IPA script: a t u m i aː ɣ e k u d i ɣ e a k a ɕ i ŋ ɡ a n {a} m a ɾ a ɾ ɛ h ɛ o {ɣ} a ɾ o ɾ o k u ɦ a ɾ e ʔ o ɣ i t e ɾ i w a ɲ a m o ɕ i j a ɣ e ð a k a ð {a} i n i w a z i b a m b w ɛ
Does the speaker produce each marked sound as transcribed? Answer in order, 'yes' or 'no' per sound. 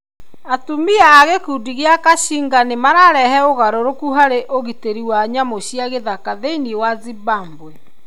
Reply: no, yes, no

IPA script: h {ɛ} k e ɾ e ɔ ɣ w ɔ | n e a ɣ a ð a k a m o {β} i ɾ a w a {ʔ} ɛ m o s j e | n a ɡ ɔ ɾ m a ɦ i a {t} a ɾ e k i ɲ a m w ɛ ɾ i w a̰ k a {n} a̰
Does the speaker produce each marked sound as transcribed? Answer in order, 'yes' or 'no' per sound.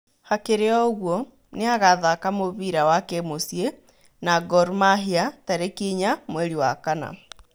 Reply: no, yes, no, yes, yes

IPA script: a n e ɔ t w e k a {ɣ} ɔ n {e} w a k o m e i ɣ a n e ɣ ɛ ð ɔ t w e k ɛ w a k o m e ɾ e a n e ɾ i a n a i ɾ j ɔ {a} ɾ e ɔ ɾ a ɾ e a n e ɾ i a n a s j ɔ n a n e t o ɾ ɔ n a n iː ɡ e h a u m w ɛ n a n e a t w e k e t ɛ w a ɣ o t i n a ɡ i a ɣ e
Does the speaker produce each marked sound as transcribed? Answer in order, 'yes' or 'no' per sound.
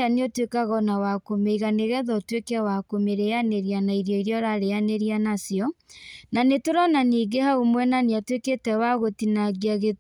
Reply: yes, no, no

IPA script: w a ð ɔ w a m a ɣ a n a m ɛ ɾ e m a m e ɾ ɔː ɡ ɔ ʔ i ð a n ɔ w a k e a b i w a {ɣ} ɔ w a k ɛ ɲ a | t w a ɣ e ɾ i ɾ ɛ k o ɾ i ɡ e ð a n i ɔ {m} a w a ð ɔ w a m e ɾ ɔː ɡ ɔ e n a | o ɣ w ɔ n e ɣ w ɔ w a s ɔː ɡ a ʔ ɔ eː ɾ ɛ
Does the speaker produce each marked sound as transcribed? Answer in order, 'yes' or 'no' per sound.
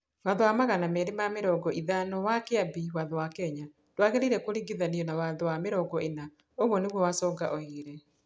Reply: no, no

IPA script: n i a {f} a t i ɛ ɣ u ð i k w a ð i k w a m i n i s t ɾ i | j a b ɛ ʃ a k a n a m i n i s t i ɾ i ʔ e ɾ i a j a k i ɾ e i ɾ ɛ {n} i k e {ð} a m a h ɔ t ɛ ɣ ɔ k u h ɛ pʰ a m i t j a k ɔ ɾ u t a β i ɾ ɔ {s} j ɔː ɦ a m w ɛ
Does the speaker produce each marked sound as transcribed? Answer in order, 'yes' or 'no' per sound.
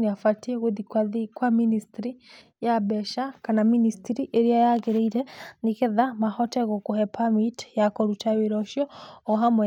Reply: yes, yes, yes, no

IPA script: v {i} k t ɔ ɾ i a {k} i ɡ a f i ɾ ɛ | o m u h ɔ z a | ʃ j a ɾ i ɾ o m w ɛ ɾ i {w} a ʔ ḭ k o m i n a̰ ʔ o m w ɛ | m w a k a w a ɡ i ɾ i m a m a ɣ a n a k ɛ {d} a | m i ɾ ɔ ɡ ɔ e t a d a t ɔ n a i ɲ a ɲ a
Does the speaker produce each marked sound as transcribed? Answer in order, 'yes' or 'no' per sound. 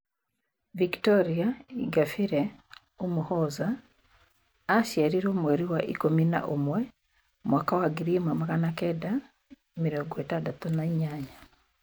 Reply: yes, no, yes, yes

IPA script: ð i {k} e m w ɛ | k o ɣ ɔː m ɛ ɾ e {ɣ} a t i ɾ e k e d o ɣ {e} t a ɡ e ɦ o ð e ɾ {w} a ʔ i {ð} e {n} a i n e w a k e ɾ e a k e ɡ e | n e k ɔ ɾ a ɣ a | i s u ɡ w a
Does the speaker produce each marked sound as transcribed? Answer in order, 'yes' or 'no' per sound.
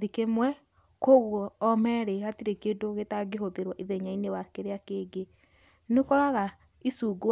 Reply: yes, yes, yes, yes, yes, no

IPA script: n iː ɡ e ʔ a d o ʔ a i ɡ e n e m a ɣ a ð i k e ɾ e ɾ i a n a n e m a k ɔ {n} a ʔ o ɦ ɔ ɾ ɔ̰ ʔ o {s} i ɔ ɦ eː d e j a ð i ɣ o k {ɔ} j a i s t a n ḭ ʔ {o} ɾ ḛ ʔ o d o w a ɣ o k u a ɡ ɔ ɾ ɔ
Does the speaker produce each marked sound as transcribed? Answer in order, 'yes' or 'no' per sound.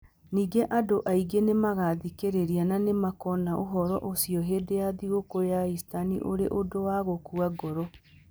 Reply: yes, yes, no, yes

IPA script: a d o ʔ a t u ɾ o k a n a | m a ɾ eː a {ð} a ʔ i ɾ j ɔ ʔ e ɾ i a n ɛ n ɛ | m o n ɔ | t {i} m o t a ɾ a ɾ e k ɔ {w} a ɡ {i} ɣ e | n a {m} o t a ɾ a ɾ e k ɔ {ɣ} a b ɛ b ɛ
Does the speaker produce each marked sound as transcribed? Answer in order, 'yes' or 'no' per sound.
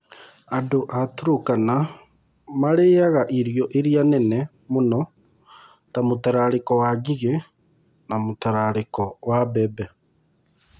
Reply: no, no, yes, yes, yes, no

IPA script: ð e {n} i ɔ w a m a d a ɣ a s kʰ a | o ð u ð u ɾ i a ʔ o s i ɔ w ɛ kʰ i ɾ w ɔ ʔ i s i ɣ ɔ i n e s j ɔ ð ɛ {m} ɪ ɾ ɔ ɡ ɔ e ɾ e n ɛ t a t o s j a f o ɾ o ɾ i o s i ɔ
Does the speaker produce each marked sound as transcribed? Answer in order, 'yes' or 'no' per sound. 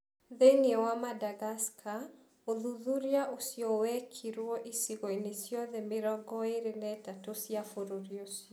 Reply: yes, yes

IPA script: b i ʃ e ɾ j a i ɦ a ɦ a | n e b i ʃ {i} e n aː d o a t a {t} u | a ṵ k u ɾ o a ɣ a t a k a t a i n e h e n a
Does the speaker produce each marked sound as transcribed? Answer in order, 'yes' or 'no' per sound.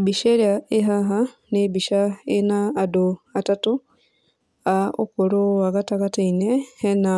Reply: no, yes

